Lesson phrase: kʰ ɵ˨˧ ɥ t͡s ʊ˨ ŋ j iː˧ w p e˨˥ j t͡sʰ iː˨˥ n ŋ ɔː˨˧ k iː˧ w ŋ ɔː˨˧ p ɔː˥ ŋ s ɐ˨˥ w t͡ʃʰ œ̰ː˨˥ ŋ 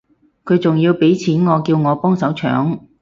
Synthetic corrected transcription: kʰ ɵ˨˧ ɥ t͡s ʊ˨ ŋ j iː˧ w p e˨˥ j t͡sʰ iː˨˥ n ŋ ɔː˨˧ k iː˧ w ŋ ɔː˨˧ p ɔː˥ ŋ s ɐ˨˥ w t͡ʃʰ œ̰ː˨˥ ŋ